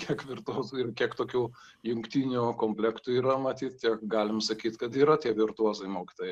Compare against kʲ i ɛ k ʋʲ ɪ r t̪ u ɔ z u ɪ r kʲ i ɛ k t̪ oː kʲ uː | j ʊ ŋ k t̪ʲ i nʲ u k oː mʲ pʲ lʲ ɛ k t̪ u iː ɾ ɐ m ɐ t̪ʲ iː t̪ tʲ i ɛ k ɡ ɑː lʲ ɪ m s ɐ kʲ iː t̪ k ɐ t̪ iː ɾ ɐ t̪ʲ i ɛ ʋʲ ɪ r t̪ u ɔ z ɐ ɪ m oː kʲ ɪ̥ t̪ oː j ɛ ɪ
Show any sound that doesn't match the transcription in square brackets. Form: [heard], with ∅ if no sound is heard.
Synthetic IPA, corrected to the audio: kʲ i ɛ k ʋʲ ɪ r t̪ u ɔ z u ɪ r kʲ i ɛ k t̪ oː kʲ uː | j ʊ ŋ k t̪ʲ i nʲ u k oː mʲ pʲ lʲ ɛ k t̪ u iː ɾ ɐ m ɐ t̪ʲ iː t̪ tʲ i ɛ k ɡ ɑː lʲ ɪ m s ɐ kʲ iː t̪ k ɐ t̪ iː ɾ ɐ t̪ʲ i ɛ ʋʲ ɪ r t̪ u ɔ z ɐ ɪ m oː kʲ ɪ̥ t̪ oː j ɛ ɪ